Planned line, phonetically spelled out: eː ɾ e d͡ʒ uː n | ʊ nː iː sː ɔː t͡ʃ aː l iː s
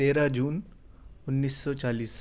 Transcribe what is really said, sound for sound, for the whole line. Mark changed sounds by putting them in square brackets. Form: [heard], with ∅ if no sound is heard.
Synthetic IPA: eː ɾ [a] d͡ʒ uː n | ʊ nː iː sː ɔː t͡ʃ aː l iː s